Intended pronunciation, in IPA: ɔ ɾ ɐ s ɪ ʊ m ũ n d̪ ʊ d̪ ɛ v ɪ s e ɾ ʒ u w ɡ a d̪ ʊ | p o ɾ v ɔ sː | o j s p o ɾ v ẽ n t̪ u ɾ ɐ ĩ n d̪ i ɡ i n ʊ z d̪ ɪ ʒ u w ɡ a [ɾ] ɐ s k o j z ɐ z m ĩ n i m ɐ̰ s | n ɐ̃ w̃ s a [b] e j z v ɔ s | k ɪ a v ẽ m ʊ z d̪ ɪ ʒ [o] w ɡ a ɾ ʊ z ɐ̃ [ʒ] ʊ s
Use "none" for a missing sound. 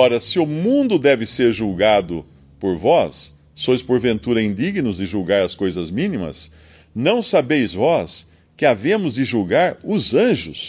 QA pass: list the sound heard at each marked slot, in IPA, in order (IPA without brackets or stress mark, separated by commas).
ɾ, b, u, ʒ